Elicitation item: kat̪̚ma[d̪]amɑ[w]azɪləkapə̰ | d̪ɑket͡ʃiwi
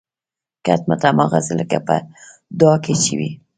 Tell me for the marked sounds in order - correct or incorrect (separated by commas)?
incorrect, incorrect